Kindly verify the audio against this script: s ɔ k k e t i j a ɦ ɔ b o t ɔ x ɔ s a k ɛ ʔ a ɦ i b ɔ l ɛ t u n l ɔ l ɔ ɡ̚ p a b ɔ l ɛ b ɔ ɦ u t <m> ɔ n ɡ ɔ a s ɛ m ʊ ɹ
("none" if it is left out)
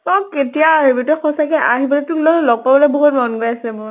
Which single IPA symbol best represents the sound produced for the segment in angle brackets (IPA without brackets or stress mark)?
m